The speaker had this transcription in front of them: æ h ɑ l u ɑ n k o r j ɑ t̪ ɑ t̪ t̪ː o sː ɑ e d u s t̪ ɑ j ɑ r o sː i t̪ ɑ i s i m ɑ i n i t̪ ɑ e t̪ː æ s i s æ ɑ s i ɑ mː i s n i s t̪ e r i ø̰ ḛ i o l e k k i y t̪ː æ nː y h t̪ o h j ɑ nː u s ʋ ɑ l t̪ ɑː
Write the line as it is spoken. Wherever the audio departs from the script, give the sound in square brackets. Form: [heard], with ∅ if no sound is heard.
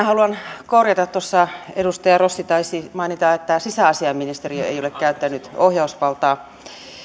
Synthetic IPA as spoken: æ h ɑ l u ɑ n k o r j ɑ t̪ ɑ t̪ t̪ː o sː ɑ e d u s t̪ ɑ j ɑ r o sː i t̪ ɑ i s i m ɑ i n i t̪ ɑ e t̪ː æ s i s æ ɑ s i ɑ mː i [∅] n i s t̪ e r i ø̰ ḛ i o l e k k [æ] y t̪ː æ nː y [∅] t̪ o h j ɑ [∅] u s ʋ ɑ l t̪ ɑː

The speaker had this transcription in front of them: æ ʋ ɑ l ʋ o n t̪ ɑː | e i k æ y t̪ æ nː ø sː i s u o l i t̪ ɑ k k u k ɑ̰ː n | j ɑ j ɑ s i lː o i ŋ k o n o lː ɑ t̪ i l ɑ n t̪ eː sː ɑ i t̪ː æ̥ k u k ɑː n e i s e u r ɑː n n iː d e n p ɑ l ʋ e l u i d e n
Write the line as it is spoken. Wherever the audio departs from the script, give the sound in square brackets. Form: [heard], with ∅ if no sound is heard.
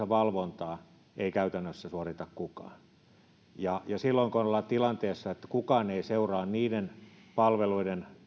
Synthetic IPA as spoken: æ ʋ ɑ l ʋ o n t̪ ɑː | e i k æ y t̪ æ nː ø sː [æ] s u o [r] i t̪ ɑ k k u k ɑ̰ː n | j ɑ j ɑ s i lː o i ŋ k o n o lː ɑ t̪ i l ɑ n t̪ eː sː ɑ [e] t̪ː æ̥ k u k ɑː n e i s e u r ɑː n n iː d e n p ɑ l ʋ e l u i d e n

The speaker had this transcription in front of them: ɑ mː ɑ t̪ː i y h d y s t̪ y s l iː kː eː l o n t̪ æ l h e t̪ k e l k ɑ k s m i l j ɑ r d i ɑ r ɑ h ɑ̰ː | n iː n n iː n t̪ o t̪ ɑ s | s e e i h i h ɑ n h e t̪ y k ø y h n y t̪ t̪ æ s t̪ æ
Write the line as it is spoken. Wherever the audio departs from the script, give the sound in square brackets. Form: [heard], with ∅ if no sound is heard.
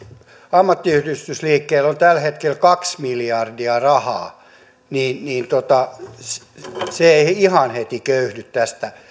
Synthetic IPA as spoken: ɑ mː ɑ t̪ː i y h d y s t̪ y s l iː kː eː l o n t̪ æ l h e t̪ k e l k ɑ k s m i l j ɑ r d i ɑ r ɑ h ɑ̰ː | n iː n n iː n t̪ o t̪ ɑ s | s e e i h i h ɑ n h e t̪ [i] k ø y h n y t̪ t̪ æ s t̪ æ

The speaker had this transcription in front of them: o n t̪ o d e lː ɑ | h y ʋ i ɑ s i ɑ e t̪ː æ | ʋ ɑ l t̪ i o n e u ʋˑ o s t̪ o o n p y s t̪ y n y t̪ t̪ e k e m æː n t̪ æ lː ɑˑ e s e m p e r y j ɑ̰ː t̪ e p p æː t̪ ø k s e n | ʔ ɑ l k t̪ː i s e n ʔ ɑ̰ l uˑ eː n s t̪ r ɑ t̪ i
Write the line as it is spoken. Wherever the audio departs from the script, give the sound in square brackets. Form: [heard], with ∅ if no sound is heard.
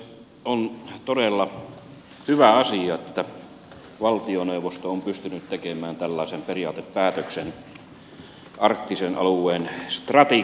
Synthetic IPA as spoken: o n t̪ o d e lː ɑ | h y ʋ [æ] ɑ s i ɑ e t̪ː æ | ʋ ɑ l t̪ i o n e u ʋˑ o s t̪ o o [m] p y s t̪ y n y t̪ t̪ e k e m æː n t̪ æ lː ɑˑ e s e m p e r [i] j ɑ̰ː t̪ e p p æː t̪ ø k s e n | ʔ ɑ [r] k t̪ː i s e n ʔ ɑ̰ l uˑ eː n s t̪ r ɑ t̪ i

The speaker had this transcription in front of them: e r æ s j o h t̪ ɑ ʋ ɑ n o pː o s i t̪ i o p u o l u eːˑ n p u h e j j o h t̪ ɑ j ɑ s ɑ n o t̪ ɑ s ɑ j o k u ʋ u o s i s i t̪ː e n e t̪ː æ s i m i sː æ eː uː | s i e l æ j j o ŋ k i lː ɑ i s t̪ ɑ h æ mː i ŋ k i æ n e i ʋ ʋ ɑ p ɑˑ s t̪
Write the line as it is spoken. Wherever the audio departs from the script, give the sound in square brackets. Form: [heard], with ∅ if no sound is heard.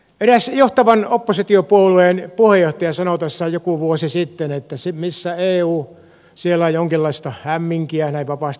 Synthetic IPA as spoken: e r æ s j o h t̪ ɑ ʋ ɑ n o pː o s i t̪ i o p u o l u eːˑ n p u h e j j o h t̪ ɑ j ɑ s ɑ n o t̪ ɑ [sː] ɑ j o k u ʋ u o s i s i t̪ː e n e t̪ː æ s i m i sː æ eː uː | s i e l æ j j o ŋ k i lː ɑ i s t̪ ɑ h æ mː i ŋ k i æ n [æ] i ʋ ʋ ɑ p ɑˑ s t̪

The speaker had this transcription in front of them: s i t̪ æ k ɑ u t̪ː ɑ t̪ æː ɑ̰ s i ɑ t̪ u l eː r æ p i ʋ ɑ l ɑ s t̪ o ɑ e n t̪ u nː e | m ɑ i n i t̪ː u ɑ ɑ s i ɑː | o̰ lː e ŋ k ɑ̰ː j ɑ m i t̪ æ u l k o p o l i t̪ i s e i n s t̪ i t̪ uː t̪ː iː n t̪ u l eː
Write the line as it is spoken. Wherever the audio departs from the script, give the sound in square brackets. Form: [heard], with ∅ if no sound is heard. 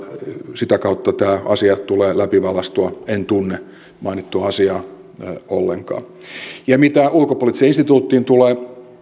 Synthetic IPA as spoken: s i t̪ æ k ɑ u t̪ː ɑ t̪ æː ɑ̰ s i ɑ t̪ u l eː [l] æ p i ʋ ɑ l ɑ s t̪ [u] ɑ e n t̪ u nː e | m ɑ i n i t̪ː u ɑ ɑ s i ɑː | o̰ lː e ŋ k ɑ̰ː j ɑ m i t̪ æ u l k o p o l i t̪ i s e i n s t̪ i t̪ uː t̪ː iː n t̪ u l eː

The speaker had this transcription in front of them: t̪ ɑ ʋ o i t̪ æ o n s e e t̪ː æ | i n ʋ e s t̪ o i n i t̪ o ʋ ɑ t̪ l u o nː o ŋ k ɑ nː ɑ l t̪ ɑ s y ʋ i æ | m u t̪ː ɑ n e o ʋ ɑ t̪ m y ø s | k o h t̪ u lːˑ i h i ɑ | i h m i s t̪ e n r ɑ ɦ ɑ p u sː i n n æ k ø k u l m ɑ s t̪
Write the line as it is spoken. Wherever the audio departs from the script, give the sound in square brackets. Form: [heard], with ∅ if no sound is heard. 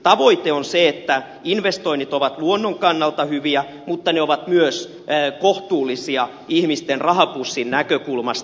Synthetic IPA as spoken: t̪ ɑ ʋ o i t̪ [e] o n s e e t̪ː æ | i n ʋ e s t̪ o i n i t̪ o ʋ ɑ t̪ l u o nː o ŋ k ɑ nː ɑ l t̪ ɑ [h] y ʋ i æ | m u t̪ː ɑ n e o ʋ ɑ t̪ m y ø s | k o h t̪ [uː] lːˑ i [s] i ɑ | i h m i s t̪ e n r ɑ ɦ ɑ p u sː i n n æ k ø k u l m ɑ s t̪

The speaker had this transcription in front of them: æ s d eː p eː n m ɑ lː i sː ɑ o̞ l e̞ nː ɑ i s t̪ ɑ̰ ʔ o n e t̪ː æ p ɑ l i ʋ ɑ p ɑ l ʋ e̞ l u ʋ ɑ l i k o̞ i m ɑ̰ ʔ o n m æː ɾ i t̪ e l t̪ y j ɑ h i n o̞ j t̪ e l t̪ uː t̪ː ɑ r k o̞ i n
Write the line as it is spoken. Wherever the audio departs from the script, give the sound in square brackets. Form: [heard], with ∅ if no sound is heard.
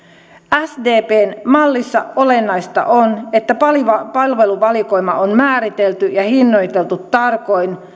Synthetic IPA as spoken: æ s d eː p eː n m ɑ lː i sː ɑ o̞ l e̞ nː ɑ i s t̪ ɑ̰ ʔ o n e t̪ː æ p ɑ l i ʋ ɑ p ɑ l ʋ e̞ l u ʋ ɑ l i k o̞ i m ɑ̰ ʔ o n m æː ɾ i t̪ e l t̪ y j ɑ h i [nː] o̞ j t̪ e l t̪ [u] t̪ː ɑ r k o̞ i n

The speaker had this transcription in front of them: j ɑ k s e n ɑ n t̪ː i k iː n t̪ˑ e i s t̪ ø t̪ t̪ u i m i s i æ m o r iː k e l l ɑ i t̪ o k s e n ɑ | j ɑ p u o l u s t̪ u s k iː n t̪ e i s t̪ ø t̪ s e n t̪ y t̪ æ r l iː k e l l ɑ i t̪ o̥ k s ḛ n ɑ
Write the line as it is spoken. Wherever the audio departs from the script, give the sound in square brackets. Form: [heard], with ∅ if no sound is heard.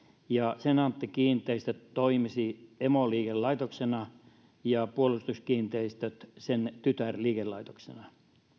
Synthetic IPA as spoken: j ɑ [∅] s e n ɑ n t̪ː i k iː n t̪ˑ e i s t̪ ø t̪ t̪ [o] i m i s i [e] m o [l] iː k e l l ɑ i t̪ o k s e n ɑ | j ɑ p u o l u s t̪ u s k iː n t̪ e i s t̪ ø t̪ s e n t̪ y t̪ æ r l iː k e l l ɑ i t̪ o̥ k s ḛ n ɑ

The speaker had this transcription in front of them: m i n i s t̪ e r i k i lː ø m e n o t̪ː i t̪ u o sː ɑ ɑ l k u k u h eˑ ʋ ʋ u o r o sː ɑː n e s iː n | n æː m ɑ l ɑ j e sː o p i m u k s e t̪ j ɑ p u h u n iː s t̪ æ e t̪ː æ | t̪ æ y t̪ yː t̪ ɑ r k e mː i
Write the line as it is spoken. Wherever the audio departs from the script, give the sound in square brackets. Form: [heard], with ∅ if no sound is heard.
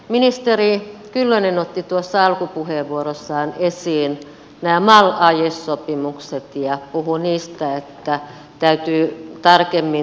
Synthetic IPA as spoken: m i n i s t̪ e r i k [y] lː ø [n] e n o t̪ː i t̪ u o sː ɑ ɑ l k u [p] u h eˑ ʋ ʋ u o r o sː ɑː n e s iː n | n æː m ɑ l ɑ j e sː o p i m u k s e t̪ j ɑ p u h u n iː s t̪ æ e t̪ː æ | t̪ æ y t̪ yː t̪ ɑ r k e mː i

